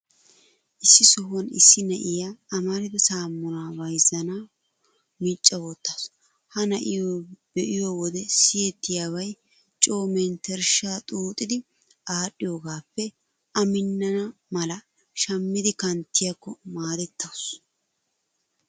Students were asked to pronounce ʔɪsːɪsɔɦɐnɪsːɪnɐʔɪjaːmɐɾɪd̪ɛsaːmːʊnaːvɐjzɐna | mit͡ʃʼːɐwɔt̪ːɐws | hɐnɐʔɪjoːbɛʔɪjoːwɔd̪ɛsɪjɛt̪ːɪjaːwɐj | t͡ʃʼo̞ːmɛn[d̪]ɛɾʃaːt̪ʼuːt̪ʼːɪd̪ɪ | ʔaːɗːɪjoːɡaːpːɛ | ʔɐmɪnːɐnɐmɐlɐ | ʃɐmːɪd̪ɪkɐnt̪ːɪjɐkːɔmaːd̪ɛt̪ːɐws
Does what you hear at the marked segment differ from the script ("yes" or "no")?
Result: yes